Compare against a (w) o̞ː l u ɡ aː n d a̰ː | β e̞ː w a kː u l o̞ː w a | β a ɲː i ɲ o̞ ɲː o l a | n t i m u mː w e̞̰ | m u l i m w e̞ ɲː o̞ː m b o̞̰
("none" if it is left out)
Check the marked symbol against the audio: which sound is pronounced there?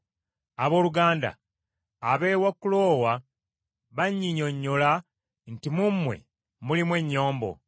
β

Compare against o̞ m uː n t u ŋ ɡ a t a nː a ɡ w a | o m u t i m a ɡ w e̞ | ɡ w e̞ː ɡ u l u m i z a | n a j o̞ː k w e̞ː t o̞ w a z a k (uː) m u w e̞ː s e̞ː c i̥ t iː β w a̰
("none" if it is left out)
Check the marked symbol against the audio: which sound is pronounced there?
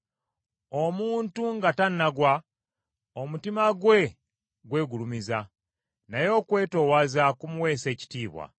u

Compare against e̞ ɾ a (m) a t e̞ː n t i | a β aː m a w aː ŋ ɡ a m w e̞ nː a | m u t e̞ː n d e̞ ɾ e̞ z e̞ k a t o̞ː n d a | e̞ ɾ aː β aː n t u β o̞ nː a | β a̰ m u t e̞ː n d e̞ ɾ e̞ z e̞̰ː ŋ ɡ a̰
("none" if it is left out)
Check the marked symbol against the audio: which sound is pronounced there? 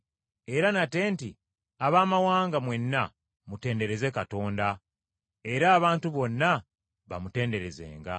n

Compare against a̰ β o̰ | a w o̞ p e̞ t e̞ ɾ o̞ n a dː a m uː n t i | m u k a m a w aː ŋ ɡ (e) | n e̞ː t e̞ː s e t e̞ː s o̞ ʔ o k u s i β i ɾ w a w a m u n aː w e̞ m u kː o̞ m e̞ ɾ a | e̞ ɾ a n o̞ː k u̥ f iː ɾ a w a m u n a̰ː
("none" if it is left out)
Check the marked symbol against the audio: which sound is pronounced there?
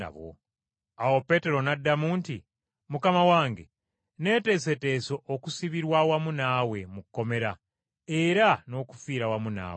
e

